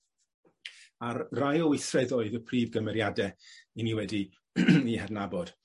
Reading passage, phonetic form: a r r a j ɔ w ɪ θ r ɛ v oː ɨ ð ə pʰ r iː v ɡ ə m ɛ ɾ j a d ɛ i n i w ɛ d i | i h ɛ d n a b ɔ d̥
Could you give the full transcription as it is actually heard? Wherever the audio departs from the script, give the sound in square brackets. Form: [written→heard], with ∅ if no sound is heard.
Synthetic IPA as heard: a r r a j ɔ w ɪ θ r ɛ [v→ð] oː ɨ ð ə pʰ r iː v ɡ ə m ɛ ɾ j a d ɛ i n i w ɛ d i | i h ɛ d n a b ɔ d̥